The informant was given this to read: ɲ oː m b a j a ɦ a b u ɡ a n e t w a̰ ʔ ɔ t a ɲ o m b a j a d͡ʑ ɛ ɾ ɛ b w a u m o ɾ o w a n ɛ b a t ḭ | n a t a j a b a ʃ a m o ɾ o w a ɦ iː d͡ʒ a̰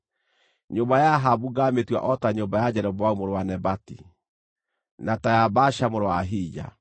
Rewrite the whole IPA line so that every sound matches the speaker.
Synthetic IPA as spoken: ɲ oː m b a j a ɦ a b u ɡ a m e t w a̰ ʔ ɔ t a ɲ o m b a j a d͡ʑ ɛ ɾ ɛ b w a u m o ɾ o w a n ɛ b a t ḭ | n a t a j a b a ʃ a m o ɾ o w a ɦ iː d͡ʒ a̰